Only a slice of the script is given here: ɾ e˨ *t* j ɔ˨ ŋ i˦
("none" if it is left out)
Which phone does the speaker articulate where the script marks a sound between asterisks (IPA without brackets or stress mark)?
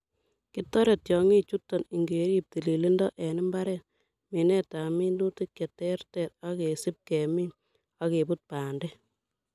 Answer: t